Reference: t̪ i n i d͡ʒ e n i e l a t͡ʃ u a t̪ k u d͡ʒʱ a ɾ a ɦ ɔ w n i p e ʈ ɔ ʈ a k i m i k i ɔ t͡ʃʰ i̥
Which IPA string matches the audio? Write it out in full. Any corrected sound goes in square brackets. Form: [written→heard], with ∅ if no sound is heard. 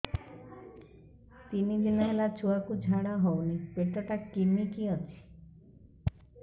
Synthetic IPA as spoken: t̪ i n i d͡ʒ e n [i→a] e l a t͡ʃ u a [t̪→∅] k u d͡ʒʱ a [ɾ→ɽ] a ɦ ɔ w n i p e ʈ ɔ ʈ a k i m i k i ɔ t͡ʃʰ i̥